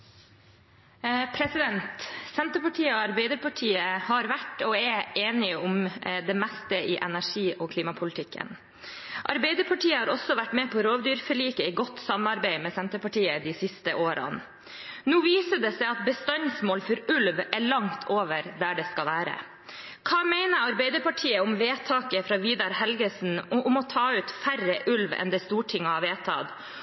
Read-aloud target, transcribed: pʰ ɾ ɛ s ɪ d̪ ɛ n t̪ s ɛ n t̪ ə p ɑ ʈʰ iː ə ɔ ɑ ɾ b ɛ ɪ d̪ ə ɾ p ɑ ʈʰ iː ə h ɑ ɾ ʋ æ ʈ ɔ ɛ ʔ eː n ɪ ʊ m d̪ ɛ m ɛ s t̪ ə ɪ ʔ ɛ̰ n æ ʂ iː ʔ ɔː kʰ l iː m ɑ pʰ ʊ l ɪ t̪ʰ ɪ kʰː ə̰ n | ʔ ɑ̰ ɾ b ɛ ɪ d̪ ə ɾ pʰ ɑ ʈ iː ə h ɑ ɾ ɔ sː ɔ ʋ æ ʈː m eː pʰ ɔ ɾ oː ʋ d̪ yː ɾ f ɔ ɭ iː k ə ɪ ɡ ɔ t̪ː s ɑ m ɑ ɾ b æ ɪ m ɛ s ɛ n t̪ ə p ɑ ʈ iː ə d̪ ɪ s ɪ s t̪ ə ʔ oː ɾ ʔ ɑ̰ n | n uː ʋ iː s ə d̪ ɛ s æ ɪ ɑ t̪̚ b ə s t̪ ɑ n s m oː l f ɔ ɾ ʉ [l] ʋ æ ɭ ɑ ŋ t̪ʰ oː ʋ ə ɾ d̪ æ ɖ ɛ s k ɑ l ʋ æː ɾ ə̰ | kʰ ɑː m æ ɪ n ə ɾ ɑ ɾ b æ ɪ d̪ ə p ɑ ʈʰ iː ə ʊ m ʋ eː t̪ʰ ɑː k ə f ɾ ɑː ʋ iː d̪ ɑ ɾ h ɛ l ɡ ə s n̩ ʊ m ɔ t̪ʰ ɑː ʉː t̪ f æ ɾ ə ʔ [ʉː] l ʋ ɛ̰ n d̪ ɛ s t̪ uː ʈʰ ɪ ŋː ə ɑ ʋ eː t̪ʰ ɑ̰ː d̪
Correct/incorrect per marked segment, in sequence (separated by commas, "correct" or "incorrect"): correct, incorrect